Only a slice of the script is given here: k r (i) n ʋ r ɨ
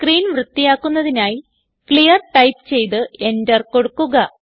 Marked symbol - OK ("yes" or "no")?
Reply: no